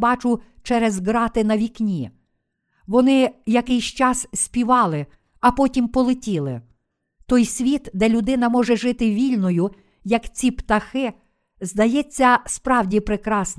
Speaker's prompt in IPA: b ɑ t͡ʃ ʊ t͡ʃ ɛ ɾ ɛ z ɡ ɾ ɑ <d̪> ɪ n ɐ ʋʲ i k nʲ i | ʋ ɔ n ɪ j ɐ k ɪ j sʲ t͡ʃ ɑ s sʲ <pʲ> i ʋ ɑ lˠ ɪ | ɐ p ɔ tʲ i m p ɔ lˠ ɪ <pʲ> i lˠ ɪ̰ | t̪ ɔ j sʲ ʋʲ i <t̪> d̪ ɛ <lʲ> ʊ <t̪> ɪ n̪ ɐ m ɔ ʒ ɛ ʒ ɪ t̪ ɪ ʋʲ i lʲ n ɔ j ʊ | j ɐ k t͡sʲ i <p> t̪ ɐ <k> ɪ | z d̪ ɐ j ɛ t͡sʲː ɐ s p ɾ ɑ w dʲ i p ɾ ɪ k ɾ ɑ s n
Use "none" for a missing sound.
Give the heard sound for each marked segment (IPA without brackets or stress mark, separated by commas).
t̪, pʲ, tʲ, t̪, lʲ, d̪, p, x